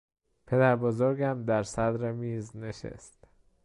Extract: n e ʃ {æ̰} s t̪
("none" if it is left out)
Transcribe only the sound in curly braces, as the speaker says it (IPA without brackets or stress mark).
ḛ